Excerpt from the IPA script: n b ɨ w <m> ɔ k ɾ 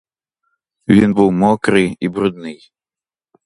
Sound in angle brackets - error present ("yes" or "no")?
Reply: no